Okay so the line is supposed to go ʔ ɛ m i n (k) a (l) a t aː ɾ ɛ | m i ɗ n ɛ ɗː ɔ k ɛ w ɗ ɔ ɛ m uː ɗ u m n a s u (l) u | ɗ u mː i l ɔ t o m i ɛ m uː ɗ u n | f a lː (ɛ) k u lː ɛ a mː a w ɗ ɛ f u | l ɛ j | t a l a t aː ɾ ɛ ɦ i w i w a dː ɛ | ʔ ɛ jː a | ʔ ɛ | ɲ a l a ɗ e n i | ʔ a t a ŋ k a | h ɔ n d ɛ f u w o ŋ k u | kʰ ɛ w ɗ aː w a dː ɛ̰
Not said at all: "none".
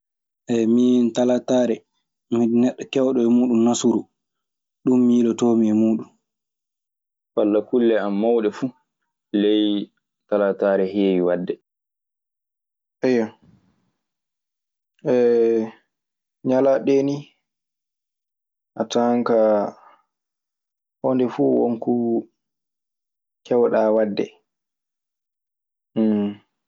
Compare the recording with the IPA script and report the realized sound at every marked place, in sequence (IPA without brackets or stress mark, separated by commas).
t, l, ɾ, a